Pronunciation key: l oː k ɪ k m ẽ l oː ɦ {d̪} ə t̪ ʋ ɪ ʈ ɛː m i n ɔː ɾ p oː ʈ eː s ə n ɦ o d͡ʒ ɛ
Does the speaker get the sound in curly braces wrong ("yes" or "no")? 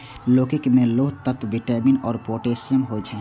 yes